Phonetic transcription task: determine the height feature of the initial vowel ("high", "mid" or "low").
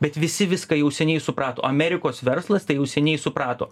mid